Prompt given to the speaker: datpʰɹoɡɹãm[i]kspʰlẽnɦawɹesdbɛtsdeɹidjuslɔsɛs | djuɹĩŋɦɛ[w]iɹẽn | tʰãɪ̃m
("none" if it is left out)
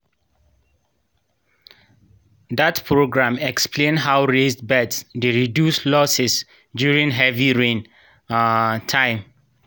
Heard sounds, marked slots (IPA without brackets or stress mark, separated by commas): ɛ, v